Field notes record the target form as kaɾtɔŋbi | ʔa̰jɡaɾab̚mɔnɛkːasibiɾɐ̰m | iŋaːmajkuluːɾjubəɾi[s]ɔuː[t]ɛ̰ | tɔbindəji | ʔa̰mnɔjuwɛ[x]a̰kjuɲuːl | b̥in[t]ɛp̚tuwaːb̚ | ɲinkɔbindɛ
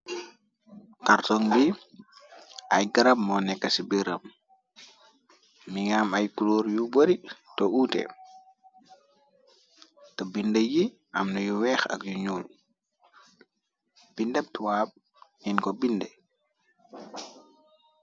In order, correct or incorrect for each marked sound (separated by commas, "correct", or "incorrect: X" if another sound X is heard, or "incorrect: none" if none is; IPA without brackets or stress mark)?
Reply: incorrect: t, correct, correct, incorrect: d